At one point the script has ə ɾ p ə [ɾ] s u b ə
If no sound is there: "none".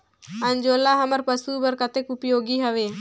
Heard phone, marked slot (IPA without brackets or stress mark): none